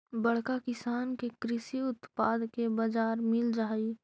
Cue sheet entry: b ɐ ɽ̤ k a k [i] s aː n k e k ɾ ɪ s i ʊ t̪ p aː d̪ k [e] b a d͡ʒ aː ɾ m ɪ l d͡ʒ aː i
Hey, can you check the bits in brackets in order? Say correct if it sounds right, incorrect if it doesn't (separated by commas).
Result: incorrect, correct